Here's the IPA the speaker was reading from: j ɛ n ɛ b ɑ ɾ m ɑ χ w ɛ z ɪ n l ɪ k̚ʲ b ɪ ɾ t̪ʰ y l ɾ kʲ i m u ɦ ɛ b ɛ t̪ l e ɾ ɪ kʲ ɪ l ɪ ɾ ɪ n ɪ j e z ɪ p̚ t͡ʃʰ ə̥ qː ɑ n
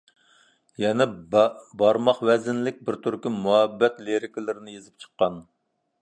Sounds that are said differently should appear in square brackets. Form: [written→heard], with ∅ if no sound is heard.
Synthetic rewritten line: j ɛ n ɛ b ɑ ɾ m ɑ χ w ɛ z ɪ n l ɪ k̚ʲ b ɪ ɾ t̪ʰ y [l→∅] ɾ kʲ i m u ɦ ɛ [b→bː] ɛ t̪ l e ɾ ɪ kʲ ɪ l ɪ ɾ ɪ n ɪ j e z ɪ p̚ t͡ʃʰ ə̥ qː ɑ n